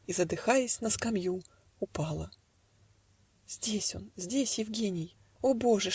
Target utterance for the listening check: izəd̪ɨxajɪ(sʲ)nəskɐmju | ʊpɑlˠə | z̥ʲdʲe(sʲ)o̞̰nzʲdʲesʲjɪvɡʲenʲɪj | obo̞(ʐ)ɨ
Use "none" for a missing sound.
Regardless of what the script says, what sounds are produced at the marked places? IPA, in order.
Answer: sʲ, sʲ, ʐ

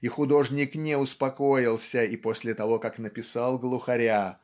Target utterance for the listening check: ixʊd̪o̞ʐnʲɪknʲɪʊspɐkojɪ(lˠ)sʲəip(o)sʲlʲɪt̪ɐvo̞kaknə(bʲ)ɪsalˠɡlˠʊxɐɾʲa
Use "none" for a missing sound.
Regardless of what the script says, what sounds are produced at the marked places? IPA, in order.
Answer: lˠ, o, pʲ

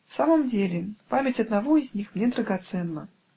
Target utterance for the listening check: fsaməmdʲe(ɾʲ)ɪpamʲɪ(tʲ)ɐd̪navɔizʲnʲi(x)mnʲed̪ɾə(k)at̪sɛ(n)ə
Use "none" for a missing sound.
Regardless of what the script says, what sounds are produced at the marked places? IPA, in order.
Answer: lʲ, tʲ, x, ɡ, nː

